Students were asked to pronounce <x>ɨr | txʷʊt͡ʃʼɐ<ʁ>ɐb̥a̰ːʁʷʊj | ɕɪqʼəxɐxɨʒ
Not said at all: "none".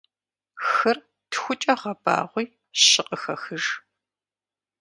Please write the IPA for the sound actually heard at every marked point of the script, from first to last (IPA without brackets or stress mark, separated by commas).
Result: x, ʁ